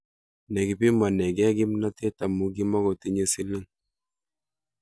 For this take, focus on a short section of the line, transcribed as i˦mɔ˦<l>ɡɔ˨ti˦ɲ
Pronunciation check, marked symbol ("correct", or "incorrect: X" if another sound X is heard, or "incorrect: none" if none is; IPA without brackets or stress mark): incorrect: none